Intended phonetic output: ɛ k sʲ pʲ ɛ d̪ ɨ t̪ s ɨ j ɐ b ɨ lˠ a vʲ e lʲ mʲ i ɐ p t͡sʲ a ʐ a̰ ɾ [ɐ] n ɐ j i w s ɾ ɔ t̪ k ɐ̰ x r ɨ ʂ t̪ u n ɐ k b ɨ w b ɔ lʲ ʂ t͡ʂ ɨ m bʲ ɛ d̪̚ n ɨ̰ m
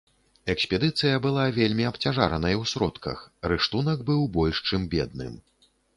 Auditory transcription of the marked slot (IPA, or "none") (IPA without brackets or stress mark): ɐ